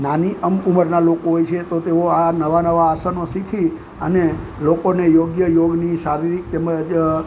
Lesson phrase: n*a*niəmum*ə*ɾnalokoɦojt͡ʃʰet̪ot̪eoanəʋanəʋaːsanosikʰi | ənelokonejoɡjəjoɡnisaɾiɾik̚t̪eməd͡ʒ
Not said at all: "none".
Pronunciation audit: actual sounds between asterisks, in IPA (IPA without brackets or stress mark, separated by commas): a, ə